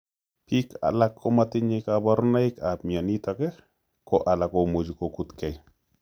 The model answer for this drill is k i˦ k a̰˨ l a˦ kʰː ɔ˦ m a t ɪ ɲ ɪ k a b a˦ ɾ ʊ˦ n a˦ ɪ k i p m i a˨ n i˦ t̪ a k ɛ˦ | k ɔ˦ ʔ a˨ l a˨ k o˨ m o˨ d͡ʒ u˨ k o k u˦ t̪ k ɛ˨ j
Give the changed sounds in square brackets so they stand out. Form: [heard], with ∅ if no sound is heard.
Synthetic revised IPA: [p] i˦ k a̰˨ l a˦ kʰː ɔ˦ m a t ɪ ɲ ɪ k a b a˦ ɾ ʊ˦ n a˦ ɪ k [a] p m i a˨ n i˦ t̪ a k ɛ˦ | k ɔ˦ ʔ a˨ l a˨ k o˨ m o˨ d͡ʒ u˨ k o k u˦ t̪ k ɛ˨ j